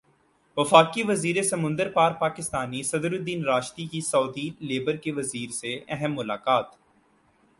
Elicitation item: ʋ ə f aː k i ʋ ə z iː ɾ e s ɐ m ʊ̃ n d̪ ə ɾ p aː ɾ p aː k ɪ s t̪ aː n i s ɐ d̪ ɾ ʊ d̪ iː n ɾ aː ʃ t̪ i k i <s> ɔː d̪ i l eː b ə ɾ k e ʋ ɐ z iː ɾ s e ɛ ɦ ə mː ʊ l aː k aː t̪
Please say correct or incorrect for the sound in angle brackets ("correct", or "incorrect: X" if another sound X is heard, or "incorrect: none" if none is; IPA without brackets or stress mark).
correct